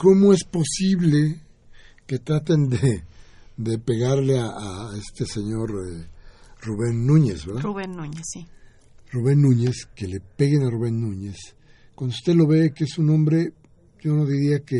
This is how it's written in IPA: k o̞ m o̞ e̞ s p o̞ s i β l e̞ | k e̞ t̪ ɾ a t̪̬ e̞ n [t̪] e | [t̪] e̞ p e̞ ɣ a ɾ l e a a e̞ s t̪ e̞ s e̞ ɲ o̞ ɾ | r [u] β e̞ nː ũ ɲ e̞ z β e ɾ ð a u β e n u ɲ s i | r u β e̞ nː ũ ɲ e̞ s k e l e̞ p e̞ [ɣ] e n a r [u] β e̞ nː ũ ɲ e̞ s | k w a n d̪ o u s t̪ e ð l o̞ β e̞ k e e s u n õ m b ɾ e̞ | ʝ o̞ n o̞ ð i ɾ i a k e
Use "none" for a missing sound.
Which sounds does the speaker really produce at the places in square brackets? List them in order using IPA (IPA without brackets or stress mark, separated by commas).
d̪, d̪, u, ɣ, u